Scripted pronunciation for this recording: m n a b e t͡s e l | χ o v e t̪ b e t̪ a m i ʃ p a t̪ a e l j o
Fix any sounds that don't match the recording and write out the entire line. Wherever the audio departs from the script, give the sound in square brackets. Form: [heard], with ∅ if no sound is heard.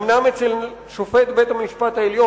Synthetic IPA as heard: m n a [m] e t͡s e l | [ʃ] o [f] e t̪ b e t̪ a m i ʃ p a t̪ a e l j o